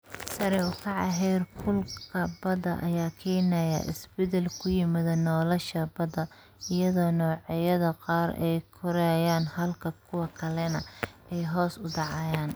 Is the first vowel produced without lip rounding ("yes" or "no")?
yes